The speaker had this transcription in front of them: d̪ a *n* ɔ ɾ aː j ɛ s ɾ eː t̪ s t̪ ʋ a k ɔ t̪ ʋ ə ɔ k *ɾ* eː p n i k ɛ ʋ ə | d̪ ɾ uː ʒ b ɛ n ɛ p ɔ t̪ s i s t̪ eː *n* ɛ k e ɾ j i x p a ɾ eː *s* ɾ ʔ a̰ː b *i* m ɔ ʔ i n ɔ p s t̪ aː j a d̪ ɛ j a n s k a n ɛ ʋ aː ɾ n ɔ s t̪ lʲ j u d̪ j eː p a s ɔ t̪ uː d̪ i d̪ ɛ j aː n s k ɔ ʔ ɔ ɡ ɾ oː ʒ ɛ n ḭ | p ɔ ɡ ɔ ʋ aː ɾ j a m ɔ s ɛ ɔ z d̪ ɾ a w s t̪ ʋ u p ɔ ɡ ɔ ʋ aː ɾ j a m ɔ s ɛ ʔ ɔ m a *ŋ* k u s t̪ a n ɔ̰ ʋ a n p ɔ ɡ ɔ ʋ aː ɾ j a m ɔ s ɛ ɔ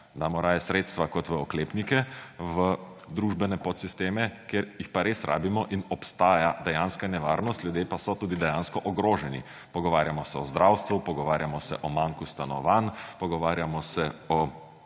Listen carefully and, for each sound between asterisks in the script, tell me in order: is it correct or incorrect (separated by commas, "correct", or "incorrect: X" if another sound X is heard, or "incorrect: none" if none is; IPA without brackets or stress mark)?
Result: incorrect: m, incorrect: l, incorrect: m, correct, correct, correct